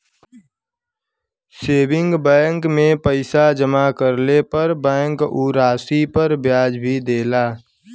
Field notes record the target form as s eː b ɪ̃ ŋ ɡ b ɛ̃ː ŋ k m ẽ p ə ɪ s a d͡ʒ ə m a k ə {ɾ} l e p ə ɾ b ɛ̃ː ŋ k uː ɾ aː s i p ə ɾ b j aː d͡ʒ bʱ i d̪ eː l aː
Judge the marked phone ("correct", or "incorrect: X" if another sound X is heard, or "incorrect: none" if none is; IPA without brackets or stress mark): correct